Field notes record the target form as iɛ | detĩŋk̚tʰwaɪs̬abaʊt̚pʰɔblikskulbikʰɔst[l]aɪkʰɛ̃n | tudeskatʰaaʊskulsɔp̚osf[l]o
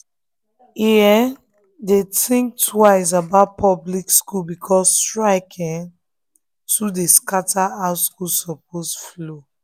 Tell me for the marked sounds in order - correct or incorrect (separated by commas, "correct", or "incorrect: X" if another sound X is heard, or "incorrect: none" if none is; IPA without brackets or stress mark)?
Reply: incorrect: ɹ, correct